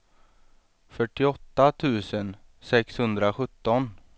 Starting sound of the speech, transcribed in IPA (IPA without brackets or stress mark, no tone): f